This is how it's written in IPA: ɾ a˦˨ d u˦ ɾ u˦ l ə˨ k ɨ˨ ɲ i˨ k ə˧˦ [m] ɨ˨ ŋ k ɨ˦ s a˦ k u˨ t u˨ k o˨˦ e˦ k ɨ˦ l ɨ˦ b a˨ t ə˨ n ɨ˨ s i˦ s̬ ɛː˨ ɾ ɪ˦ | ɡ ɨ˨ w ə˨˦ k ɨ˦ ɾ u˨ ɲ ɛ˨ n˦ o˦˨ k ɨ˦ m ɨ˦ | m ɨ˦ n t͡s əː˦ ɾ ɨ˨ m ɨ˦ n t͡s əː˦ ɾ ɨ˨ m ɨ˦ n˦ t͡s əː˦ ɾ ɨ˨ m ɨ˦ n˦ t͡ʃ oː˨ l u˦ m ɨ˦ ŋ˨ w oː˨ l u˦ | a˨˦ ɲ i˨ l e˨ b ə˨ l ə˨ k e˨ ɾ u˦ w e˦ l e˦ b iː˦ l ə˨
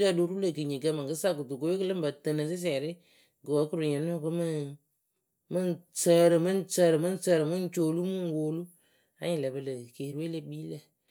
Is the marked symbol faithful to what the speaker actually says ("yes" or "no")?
yes